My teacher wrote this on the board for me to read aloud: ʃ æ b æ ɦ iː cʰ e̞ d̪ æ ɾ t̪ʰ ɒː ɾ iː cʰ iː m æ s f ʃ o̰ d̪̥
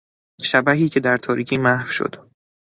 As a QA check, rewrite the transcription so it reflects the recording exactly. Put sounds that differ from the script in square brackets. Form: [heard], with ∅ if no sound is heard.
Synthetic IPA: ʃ æ b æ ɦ iː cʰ e̞ d̪ æ ɾ t̪ʰ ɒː ɾ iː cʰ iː m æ [h] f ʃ o̰ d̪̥